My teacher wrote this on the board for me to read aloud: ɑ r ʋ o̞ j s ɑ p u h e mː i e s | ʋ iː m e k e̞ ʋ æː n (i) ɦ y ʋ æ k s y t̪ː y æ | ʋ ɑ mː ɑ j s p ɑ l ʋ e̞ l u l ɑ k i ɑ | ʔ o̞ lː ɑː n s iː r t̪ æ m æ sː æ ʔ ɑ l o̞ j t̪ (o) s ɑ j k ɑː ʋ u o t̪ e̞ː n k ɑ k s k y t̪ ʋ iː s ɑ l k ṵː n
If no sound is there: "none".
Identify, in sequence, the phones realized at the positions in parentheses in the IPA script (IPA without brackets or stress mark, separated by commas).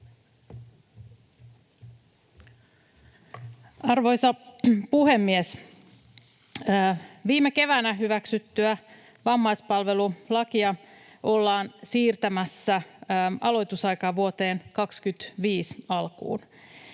æ, u